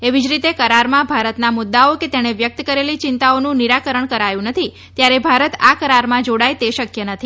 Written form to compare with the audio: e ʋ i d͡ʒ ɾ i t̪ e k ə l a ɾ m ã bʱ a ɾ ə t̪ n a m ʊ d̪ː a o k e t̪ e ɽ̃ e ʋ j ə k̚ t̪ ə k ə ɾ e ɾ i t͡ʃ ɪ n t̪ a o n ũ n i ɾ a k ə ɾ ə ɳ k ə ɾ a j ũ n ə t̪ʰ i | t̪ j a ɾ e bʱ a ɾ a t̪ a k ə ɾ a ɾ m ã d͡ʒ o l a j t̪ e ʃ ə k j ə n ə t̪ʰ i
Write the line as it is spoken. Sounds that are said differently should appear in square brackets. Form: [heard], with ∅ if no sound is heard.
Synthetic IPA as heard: e ʋ i d͡ʒ ɾ i t̪ e k ə [ɾ] a ɾ m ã bʱ a ɾ ə t̪ n a m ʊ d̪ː a o k e t̪ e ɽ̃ e ʋ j ə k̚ t̪ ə k ə ɾ e [l] i t͡ʃ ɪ n t̪ a o n ũ n i ɾ a k ə ɾ ə ɳ k ə ɾ a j ũ n ə t̪ʰ i | t̪ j a ɾ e bʱ a ɾ [ə] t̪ a k ə ɾ a ɾ m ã d͡ʒ o [ɽ] a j t̪ e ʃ ə k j ə n ə t̪ʰ i